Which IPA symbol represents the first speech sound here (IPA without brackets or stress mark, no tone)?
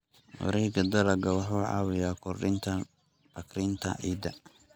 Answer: w